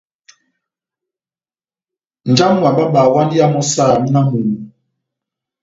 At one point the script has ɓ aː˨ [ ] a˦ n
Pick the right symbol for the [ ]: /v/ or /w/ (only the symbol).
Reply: w